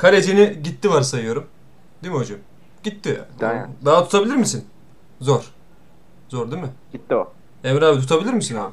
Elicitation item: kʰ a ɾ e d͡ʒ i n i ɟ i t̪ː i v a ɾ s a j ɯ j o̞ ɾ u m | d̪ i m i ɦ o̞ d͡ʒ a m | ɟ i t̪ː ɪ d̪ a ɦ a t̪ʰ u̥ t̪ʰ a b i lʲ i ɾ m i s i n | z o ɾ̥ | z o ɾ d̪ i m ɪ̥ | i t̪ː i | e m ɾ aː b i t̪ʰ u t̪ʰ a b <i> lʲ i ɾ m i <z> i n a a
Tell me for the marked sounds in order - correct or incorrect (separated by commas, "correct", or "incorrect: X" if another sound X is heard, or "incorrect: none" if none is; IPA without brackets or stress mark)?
correct, incorrect: s